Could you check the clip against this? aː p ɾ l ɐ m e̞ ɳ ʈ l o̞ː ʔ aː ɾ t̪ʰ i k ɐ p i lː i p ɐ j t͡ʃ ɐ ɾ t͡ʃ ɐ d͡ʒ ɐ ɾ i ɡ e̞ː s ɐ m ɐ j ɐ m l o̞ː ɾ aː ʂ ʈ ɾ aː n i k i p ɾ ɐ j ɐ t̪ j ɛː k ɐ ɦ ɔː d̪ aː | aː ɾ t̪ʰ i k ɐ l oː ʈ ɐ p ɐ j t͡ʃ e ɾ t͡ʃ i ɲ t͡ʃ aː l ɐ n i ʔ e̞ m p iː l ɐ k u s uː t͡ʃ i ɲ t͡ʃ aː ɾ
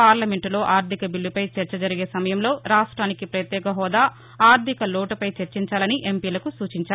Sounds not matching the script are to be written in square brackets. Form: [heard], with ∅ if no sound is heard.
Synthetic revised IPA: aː [∅] ɾ l ɐ m e̞ ɳ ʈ l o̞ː ʔ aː ɾ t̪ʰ i k ɐ [b] i lː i p ɐ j t͡ʃ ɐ ɾ t͡ʃ ɐ d͡ʒ ɐ ɾ i ɡ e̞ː s ɐ m ɐ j ɐ m l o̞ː ɾ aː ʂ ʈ ɾ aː n i k i p ɾ ɐ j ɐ t̪ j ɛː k ɐ ɦ ɔː d̪ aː | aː ɾ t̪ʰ i k ɐ l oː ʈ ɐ p ɐ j t͡ʃ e ɾ t͡ʃ i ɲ t͡ʃ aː l ɐ n i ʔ e̞ m p iː l ɐ k u s uː t͡ʃ i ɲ t͡ʃ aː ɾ